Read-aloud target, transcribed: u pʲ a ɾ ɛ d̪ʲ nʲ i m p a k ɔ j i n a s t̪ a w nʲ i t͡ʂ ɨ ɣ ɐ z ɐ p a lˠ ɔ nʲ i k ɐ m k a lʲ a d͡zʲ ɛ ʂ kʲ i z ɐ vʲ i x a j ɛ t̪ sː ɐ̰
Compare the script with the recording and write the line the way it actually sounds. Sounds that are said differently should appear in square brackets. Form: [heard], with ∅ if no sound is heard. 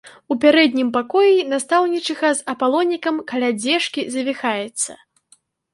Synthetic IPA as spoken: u pʲ a ɾ ɛ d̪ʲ nʲ i m p a k ɔ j i n a s t̪ a w nʲ i t͡ʂ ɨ ɣ ɐ z ɐ p a lˠ ɔ nʲ i k ɐ m k a lʲ a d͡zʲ ɛ ʂ kʲ i z ɐ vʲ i x a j ɛ t̪ sː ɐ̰